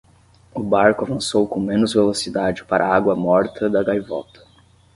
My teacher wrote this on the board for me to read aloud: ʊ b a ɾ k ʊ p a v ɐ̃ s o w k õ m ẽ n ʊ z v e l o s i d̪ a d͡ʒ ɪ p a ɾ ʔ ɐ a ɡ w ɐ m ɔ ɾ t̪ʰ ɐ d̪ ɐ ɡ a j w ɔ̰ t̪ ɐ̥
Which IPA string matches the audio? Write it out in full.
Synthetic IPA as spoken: ʊ b a ɾ k ʊ a v ɐ̃ s o w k õ m ẽ n ʊ z v e l o s i d̪ a d͡ʒ ɪ p a ɾ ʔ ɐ a ɡ w ɐ m ɔ ɾ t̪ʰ ɐ d̪ ɐ ɡ a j v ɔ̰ t̪ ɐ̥